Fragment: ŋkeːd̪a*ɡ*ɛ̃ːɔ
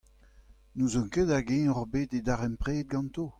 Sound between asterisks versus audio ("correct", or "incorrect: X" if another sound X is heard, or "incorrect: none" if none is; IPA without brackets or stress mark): correct